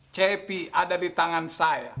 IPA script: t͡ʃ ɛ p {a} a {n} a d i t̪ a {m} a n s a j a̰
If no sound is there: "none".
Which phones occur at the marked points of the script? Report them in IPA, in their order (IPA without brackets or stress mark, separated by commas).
i, d, ŋ